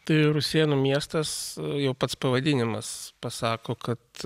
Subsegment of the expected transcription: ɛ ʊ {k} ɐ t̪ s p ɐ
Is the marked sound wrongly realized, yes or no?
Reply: yes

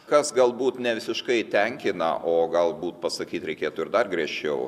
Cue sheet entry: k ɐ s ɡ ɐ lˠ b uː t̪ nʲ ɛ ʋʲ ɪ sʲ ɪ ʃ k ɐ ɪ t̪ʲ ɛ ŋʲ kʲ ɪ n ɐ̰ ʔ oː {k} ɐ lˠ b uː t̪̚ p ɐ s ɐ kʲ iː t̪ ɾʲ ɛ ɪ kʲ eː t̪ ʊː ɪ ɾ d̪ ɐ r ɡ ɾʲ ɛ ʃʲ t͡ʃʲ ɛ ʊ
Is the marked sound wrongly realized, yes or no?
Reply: yes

